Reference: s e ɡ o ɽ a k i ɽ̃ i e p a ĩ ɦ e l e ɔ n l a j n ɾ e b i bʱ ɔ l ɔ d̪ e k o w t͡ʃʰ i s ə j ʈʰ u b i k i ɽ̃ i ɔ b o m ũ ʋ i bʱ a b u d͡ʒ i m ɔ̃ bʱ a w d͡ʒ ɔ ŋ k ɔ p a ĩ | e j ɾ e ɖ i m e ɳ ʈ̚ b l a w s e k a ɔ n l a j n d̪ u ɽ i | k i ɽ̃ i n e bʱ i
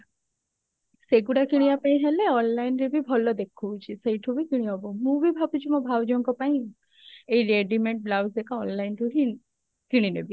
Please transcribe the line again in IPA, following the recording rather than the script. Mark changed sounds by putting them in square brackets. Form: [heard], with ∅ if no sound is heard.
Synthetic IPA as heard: s e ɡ [u] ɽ a k i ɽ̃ i [a] p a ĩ ɦ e l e ɔ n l a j n ɾ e b i bʱ ɔ l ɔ d̪ e [kʰ] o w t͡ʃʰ i s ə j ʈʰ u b i k i ɽ̃ i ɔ b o m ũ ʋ i bʱ a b u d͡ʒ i m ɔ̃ bʱ a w d͡ʒ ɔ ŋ k ɔ p a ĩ | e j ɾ e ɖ i m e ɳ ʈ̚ b l a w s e k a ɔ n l a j n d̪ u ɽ i | k i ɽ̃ i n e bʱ i